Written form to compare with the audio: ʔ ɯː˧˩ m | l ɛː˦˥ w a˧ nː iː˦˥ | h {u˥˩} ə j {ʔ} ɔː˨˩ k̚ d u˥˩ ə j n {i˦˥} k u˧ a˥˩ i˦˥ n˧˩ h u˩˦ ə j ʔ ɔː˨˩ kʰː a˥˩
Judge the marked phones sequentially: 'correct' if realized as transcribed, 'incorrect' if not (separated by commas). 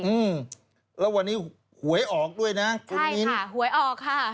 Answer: incorrect, correct, incorrect